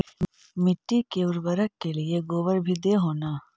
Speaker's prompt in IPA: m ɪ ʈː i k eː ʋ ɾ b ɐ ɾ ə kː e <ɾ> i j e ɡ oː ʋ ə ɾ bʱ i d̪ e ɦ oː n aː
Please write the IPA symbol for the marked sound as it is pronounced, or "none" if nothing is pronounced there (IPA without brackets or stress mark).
l